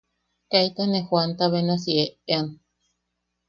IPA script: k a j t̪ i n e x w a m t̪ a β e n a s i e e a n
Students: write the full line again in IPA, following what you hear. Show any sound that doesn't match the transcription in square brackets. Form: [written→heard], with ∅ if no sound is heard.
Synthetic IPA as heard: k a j t̪ [i→a] n e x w a [m→n] t̪ a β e n a s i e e a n